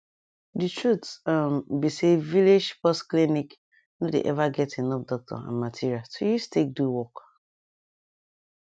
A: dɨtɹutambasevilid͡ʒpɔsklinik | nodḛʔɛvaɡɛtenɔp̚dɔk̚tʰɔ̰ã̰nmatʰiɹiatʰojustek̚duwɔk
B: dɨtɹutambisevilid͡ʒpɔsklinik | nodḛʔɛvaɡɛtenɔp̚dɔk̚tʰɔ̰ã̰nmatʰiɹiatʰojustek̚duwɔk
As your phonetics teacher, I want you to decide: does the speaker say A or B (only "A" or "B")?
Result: B